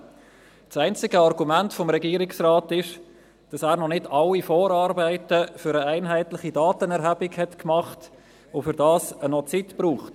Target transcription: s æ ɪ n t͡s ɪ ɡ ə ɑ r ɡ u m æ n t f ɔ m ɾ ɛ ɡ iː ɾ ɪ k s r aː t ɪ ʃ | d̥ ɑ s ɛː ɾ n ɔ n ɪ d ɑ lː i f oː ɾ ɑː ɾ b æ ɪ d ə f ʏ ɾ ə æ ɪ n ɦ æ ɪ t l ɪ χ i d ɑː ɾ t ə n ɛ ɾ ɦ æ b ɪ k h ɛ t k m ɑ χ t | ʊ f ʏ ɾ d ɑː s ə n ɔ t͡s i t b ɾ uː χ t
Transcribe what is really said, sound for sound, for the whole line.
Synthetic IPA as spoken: s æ ɪ n t͡s ɪ ɡ ə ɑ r ɡ u m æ n t f ɔ m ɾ ɛ ɡ iː ɾ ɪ k s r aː t ɪ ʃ | d̥ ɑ s æː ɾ n ɔ n ɪ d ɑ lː i f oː ɾ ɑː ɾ b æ ɪ t ə f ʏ ɾ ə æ ɪ n ɦ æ ɪ t l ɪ χ i d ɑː t ə n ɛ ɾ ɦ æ b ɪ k h ɛ t k m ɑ χ t | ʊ f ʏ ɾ d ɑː s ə n ɔ t͡s i t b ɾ uː χ t